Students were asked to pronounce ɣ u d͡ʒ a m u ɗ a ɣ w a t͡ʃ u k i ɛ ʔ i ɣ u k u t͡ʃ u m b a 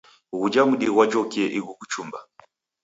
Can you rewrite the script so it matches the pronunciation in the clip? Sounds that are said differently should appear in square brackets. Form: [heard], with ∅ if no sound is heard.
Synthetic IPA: ɣ u d͡ʒ a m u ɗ [i] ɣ w a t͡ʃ [ɔ] k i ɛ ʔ i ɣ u k u t͡ʃ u m b a